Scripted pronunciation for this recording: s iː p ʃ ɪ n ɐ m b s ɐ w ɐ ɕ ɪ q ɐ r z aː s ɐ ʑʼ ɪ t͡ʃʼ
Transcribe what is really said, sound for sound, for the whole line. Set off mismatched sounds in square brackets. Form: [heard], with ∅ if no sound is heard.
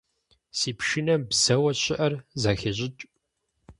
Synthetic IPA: s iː p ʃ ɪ n ɐ m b s ɐ w ɐ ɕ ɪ [ʔ] ɐ r z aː [x] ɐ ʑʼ ɪ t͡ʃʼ